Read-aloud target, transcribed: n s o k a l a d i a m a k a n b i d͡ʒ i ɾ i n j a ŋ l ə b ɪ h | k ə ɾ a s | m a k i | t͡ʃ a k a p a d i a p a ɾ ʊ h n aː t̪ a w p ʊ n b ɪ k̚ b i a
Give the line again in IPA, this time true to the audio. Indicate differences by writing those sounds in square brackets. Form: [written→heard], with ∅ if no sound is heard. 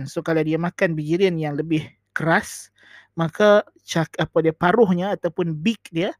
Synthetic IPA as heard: n s o k a l a d i a m a k a n b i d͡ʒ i ɾ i n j a ŋ l ə b ɪ h | k ə ɾ a s | m a k [i→a] | t͡ʃ a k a p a d i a p a ɾ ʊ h [n→ɲ] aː t̪ a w p ʊ n b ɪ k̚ [b→d] i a